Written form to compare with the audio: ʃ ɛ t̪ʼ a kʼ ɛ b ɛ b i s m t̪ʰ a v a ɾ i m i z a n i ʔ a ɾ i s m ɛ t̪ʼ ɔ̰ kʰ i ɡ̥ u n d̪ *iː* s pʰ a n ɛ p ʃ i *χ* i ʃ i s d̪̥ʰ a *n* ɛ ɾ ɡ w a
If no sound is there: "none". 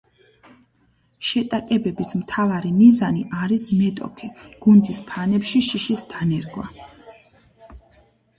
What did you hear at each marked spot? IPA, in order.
i, ʃ, n

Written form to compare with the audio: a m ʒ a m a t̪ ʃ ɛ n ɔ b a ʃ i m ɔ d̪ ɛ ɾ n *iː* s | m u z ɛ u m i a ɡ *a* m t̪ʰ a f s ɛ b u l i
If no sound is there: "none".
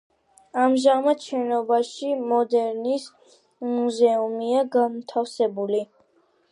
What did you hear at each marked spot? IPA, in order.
i, a

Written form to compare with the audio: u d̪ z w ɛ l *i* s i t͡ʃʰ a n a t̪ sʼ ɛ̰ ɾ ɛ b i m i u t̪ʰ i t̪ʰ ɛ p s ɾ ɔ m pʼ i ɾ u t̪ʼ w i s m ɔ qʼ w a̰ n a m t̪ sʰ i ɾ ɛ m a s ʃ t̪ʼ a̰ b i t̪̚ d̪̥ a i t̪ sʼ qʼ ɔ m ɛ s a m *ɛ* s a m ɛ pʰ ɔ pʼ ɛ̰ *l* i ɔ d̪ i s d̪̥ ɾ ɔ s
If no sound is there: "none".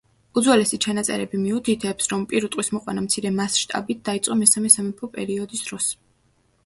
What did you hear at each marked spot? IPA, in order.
ɛ, ɛ, ɾ

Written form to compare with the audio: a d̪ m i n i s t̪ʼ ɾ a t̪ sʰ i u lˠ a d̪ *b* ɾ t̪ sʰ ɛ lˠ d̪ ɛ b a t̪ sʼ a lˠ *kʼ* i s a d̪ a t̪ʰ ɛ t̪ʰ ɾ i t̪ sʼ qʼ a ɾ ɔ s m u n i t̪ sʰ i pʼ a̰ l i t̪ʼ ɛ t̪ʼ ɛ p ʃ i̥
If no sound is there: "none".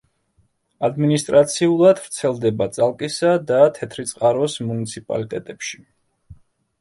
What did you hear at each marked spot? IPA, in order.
v, kʼ

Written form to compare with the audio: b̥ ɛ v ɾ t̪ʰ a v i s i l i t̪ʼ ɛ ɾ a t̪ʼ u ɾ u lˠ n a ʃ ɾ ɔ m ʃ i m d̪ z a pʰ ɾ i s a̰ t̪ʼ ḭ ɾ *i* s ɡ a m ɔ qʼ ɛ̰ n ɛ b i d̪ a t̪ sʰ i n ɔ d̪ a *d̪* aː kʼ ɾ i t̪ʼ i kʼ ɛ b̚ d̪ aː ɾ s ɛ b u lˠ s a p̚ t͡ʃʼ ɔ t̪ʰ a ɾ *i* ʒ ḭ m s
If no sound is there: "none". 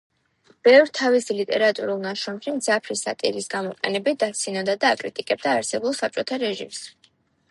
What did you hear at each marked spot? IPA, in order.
i, d̪, ɛ

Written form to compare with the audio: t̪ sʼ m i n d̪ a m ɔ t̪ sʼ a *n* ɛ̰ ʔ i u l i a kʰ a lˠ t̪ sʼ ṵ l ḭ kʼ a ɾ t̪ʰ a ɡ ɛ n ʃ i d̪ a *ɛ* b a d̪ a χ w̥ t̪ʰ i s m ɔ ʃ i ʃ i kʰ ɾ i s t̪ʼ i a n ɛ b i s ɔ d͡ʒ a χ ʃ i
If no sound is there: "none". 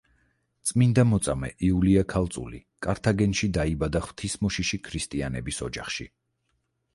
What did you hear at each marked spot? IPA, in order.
m, i

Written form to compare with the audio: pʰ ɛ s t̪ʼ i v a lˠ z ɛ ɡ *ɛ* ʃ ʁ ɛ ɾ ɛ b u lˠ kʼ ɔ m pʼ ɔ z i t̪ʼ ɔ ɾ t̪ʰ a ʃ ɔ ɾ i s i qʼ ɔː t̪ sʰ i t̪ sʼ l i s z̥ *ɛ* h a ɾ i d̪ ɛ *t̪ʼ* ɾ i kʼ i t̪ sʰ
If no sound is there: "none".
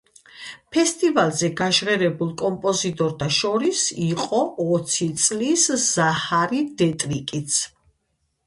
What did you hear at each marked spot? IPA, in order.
a, a, t̪ʼ

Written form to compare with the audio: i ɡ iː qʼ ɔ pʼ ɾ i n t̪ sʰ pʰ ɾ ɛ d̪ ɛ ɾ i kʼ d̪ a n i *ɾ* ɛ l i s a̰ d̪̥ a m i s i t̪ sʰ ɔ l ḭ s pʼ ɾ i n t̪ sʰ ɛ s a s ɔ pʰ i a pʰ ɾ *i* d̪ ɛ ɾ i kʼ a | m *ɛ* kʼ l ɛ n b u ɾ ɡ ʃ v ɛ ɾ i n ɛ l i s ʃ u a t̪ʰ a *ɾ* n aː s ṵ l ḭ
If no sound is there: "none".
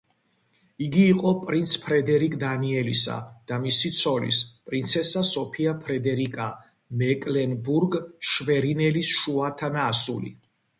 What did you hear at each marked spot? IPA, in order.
none, ɛ, ɛ, none

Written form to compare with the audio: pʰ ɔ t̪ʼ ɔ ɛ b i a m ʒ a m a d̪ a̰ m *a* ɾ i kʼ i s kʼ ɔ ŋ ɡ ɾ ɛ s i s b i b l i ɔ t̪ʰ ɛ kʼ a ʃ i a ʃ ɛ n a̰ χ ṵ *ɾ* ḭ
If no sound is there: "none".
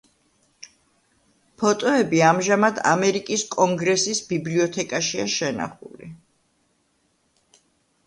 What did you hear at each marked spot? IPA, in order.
ɛ, l

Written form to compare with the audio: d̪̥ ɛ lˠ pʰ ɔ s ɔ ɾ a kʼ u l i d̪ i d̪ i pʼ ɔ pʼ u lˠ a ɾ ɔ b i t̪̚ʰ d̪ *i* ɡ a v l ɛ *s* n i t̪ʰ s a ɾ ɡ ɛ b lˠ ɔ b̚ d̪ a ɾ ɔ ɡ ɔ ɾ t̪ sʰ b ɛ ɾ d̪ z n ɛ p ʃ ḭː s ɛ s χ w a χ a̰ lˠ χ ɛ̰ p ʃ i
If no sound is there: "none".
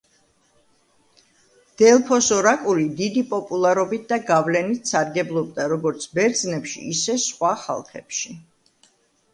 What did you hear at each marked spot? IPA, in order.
a, none

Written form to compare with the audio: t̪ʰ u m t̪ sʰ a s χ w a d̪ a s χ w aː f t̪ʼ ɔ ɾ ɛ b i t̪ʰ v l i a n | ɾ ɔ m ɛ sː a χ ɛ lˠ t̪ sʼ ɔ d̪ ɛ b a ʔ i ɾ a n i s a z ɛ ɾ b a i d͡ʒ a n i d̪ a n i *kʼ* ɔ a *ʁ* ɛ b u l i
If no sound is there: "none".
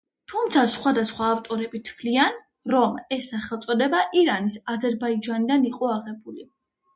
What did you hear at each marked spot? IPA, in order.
qʼ, ʁ

